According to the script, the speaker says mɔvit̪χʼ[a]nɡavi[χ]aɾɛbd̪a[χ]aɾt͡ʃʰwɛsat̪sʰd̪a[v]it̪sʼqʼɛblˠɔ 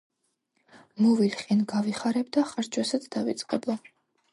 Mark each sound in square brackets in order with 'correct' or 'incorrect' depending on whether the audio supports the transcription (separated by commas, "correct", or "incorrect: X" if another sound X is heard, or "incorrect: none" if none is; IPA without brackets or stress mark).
incorrect: i, correct, correct, correct